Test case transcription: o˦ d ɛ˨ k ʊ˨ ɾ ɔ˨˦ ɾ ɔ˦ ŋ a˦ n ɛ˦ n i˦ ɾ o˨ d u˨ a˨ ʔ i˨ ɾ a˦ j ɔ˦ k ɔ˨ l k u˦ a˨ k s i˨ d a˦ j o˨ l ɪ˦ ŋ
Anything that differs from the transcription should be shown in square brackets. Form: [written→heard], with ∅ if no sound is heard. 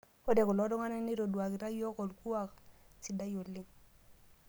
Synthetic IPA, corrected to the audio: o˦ d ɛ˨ k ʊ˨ [ɾ→l] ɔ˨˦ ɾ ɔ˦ ŋ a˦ n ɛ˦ n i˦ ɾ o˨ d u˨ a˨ [ʔ→k] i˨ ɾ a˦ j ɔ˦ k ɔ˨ l k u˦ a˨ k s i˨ d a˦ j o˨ l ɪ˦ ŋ